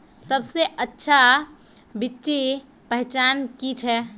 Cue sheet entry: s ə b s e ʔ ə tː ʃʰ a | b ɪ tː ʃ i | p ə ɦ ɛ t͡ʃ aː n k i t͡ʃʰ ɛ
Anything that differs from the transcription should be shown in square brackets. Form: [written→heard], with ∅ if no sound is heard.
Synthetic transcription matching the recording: s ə b s e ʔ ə tː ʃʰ a | b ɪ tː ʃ i | p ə ɦ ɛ t͡ʃ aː n k i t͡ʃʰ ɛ